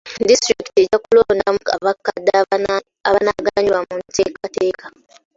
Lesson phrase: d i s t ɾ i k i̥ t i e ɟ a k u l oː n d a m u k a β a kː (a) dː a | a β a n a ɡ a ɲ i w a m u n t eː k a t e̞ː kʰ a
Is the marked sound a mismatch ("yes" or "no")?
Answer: no